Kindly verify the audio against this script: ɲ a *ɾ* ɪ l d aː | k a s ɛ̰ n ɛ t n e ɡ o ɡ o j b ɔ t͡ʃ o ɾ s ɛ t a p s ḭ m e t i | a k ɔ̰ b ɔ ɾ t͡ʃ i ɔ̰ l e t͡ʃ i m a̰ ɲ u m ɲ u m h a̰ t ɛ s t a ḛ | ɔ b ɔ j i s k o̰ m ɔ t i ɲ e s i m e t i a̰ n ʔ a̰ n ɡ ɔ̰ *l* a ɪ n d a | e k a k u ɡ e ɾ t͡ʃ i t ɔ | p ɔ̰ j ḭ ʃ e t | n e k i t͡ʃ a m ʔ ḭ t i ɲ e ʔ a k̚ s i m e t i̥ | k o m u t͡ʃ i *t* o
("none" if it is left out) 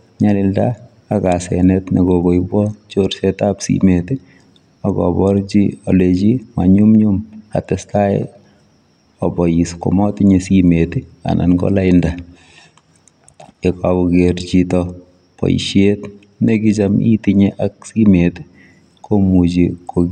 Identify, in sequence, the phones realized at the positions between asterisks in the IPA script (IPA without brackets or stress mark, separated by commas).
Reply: l, l, k